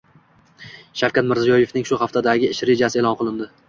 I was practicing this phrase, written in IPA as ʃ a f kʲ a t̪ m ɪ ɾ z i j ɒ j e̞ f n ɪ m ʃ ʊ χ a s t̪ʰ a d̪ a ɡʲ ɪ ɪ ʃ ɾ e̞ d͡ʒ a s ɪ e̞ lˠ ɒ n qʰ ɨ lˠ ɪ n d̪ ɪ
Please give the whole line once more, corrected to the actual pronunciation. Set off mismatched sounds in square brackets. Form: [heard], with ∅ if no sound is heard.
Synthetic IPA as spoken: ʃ a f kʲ a t̪ m ɪ ɾ z i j ɒ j e̞ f n ɪ [ŋ] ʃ ʊ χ a [f] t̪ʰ a d̪ a ɡʲ ɪ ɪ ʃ ɾ e̞ d͡ʒ a s ɪ e̞ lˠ ɒ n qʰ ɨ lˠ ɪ n d̪ ɪ